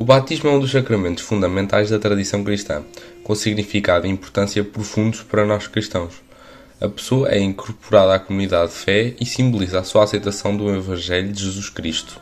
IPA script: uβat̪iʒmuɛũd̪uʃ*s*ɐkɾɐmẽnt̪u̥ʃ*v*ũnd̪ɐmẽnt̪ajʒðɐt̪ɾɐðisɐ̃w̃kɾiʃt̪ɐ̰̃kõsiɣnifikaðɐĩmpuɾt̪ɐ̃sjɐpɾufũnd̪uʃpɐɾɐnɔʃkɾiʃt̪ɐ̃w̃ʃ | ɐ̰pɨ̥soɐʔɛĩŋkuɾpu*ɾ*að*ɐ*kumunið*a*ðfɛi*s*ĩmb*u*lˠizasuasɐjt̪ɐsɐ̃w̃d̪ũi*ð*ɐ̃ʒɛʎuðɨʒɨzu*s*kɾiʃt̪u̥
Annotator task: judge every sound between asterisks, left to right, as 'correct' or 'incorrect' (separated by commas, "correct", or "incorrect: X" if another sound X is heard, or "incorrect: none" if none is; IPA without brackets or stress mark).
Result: correct, incorrect: f, correct, incorrect: a, correct, correct, correct, incorrect: v, incorrect: ʃ